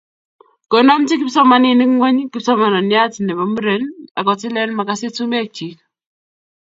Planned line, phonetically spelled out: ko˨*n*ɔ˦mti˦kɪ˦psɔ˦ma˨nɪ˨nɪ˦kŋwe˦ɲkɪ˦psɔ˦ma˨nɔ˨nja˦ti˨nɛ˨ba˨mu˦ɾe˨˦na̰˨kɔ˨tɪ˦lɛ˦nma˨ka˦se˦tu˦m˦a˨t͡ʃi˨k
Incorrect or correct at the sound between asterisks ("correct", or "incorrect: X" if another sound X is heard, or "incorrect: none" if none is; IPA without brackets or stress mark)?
correct